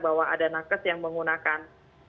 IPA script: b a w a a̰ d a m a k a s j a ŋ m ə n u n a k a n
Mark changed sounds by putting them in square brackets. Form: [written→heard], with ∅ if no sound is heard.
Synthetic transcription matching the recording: b a w a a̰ d a [m→n] a k [a→ə] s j a ŋ m ə [n→ŋ] u n a k a n

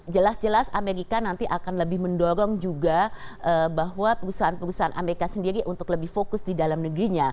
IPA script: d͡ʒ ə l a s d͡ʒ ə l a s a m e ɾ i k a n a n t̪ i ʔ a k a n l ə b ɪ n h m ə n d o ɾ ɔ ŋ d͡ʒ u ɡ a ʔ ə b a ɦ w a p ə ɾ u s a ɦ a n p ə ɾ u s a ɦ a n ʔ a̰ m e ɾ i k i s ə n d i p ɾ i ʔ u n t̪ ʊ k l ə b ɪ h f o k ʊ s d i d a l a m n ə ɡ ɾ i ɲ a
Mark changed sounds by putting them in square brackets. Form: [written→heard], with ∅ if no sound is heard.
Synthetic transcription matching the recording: d͡ʒ ə l a s d͡ʒ ə l a s a m e ɾ i k a n a n t̪ i ʔ a k a n l ə b ɪ [n→∅] h m ə n d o ɾ ɔ ŋ d͡ʒ u ɡ a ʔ ə b a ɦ w a p ə ɾ u s a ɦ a n p ə ɾ u s a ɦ a n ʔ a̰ m e ɾ i k [i→a] s ə n d i [p→∅] ɾ i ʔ u n t̪ ʊ k l ə b ɪ h f o k ʊ s d i d a l a m n ə ɡ ɾ i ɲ a

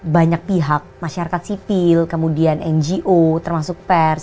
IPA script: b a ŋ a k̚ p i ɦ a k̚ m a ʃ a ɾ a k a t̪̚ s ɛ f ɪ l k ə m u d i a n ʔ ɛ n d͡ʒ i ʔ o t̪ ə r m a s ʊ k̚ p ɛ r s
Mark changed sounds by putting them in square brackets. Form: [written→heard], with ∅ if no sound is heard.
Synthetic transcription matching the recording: b a [ŋ→ɲ] a k̚ p i ɦ a k̚ m a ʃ a ɾ a k a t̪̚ s [ɛ→i] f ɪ l k ə m u d i a n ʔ ɛ n d͡ʒ i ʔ o t̪ ə r m a s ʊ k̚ p ɛ r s

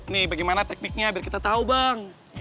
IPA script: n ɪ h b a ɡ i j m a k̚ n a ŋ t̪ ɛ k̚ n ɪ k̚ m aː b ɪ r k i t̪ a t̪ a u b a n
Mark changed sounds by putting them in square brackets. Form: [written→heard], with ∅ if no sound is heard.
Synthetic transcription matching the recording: n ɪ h b a ɡ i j m a [k̚→∅] n a [ŋ→∅] t̪ ɛ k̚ n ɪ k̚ [m→ɲ] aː b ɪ r k i t̪ a t̪ a u b a [n→ŋ]

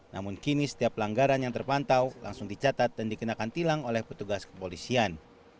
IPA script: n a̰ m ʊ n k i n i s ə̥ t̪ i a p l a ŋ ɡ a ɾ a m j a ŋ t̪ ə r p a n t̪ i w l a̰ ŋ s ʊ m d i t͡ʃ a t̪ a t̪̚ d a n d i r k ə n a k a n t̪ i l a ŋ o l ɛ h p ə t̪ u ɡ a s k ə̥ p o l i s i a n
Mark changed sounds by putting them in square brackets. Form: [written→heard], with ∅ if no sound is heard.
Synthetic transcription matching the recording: n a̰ m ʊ n k i n i s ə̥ t̪ i a p l a ŋ ɡ a ɾ a [m→n] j a ŋ t̪ ə r p a n t̪ [i→a] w l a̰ ŋ s ʊ [m→ŋ] d i t͡ʃ a t̪ a t̪̚ d a n d i [r→∅] k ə n a k a n t̪ i l a ŋ o l ɛ h p ə t̪ u ɡ a s k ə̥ p o l i s i a n

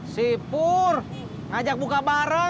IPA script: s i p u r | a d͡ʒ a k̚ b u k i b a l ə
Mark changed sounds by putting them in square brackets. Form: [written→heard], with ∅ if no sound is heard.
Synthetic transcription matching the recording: s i p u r | a d͡ʒ a k̚ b u k [i→a] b a [l→ɾ] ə

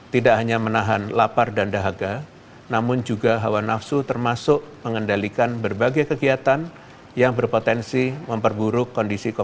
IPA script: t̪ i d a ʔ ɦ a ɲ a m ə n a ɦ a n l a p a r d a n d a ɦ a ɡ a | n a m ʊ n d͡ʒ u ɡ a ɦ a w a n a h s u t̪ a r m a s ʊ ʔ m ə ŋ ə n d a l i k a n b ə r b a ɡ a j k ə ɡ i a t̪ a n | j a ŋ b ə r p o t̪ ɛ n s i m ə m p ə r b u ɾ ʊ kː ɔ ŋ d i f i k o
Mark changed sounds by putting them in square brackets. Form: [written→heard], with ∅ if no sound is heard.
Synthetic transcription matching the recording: t̪ i d a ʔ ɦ a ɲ a m ə n a ɦ a n l a p a r d a n d a ɦ a ɡ a | n a m ʊ n d͡ʒ u ɡ a ɦ a w a n a [h→f] s u t̪ [a→ə] r m a s ʊ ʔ m ə ŋ ə n d a l i k a n b ə r b a ɡ a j k ə ɡ i a t̪ a n | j a ŋ b ə r p o t̪ ɛ n s i m ə m p ə r b u ɾ ʊ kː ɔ [ŋ→n] d i [f→s] i k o

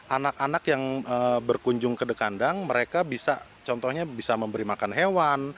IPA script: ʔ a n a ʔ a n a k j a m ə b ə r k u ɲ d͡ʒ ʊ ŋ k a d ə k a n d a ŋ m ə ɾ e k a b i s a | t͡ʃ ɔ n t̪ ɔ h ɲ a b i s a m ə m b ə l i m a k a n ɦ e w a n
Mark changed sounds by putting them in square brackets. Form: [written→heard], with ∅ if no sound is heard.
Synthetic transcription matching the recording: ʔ a n a [ʔ→k] a n a k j a [m→ŋ] ə b ə r k u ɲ d͡ʒ ʊ ŋ k [a→ə] d ə k a n d a ŋ m ə ɾ e k a b i s a | t͡ʃ ɔ n t̪ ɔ h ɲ a b i s a m ə m b ə [l→ɾ] i m a k a n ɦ e w a n

